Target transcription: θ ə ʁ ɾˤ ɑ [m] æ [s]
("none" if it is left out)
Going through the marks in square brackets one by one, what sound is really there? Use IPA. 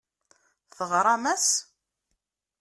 m, s

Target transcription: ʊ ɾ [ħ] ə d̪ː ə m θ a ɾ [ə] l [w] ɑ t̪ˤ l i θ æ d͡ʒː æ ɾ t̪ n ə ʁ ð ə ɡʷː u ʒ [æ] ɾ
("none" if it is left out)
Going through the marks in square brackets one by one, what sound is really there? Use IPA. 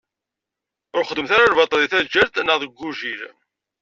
χ, a, v, i

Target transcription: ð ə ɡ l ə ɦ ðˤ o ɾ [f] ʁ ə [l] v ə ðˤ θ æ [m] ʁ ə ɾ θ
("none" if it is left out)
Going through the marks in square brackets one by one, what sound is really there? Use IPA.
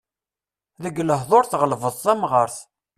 θ, l, m

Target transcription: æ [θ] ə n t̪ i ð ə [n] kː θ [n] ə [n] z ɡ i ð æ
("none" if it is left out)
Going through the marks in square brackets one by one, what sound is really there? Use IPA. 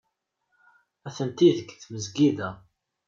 θ, none, m, none

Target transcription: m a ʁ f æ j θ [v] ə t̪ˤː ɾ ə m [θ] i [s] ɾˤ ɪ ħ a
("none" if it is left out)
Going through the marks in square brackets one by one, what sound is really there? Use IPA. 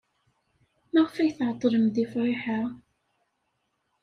ʕ, ð, f

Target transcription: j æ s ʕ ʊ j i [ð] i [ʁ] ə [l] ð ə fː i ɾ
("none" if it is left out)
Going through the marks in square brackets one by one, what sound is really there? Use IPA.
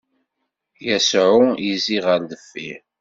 z, ʁ, ɾ

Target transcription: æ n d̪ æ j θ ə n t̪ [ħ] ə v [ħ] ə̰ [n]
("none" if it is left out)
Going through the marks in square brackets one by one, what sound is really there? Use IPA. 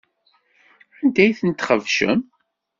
χ, ʃ, m

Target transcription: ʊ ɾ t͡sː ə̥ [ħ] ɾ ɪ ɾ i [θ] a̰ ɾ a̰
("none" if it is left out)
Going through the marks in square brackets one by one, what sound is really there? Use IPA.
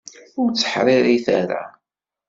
ħ, θ

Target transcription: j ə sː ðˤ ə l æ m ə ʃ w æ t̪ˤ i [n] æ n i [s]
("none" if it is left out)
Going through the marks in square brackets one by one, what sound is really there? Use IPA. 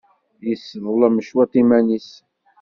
m, s

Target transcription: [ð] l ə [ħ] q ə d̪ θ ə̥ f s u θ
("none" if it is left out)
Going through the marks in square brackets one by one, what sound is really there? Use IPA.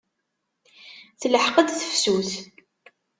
θ, ħ

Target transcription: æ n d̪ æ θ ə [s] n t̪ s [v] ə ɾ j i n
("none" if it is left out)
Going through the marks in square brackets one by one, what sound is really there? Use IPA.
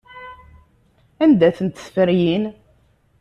none, f

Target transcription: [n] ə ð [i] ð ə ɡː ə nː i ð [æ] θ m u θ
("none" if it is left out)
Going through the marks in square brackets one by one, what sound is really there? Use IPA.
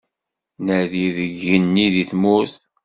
n, i, i

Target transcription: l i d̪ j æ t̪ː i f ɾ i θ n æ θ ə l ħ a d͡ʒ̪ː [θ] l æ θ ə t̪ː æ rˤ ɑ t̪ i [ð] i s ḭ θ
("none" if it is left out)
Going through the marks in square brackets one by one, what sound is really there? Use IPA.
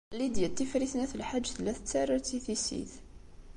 θ, θ

